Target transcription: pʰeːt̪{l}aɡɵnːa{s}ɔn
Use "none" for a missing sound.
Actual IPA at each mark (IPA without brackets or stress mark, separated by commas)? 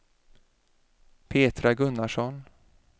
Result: ɾ, ʂ